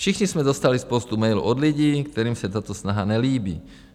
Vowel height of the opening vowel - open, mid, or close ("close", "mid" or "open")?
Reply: close